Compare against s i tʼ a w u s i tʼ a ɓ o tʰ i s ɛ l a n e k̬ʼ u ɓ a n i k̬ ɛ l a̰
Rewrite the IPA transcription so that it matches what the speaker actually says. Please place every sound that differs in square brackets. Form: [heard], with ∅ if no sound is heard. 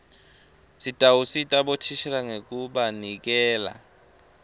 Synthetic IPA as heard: s i tʼ a w u s i tʼ a ɓ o tʰ i [ʃ] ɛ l a [ŋ] e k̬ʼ u ɓ a n i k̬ [ɛː] l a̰